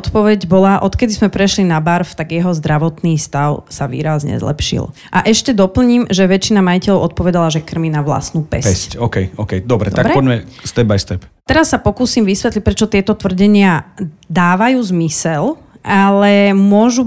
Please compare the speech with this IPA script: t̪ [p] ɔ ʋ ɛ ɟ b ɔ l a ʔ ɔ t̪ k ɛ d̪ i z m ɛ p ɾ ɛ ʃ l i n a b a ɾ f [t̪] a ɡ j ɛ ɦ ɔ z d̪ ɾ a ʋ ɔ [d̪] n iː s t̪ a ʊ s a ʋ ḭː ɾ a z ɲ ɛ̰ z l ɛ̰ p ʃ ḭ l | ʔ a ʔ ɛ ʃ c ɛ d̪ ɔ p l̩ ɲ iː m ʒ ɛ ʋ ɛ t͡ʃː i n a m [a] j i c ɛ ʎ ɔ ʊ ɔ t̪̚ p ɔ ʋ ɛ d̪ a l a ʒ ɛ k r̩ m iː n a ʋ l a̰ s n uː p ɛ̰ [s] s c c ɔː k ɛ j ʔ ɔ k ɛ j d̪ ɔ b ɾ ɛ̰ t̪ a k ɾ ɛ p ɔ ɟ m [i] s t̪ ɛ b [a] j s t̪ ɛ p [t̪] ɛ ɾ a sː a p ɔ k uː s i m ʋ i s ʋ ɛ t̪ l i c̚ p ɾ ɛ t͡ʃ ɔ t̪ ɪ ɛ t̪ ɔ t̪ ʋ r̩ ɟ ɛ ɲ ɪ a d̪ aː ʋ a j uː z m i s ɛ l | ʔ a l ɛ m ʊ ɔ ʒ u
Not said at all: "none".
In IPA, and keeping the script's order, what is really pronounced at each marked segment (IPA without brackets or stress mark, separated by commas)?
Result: p, t̪, t̪, a, s, ɛ, a, t̪